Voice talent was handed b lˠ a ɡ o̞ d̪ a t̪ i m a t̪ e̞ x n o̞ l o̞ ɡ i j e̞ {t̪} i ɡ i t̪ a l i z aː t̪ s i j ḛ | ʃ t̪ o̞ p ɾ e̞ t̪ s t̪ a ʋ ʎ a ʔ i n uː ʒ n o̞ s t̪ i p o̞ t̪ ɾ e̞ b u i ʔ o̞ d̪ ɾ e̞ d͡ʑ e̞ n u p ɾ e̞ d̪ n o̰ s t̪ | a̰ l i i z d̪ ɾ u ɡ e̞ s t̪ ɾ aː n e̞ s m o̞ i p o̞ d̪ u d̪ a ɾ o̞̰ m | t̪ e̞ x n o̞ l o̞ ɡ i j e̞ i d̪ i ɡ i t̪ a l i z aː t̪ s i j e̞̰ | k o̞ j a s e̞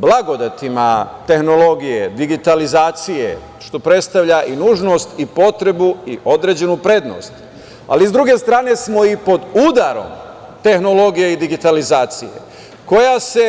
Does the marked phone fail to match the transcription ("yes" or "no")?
yes